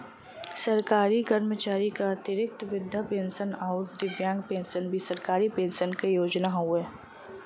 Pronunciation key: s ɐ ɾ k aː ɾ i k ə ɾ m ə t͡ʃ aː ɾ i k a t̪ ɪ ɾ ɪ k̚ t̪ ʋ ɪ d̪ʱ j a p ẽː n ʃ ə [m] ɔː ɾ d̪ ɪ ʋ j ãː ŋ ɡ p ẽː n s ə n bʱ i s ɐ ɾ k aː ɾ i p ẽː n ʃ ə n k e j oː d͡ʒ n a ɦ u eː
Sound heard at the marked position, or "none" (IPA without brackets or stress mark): n